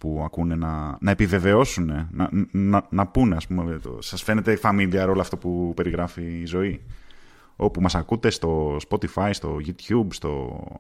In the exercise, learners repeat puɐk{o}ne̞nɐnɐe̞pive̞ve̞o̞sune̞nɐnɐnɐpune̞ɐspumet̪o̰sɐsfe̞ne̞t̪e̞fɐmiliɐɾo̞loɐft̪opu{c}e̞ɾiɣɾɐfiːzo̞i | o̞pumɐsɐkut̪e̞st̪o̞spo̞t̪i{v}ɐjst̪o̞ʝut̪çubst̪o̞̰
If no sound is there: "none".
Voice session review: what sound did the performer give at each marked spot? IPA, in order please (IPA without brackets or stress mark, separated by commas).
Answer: u, p, f